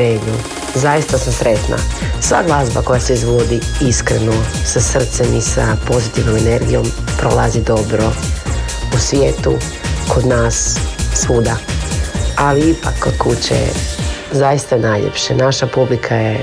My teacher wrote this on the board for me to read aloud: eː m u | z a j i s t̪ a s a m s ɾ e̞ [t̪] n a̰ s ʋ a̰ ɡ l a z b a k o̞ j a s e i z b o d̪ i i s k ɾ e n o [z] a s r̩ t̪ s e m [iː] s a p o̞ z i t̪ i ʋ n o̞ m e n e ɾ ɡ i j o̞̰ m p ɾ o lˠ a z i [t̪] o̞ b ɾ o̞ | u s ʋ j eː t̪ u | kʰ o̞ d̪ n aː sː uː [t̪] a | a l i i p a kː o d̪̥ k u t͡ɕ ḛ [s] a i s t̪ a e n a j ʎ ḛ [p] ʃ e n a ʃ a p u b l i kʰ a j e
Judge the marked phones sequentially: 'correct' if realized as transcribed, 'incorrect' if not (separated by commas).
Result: correct, incorrect, incorrect, incorrect, incorrect, incorrect, correct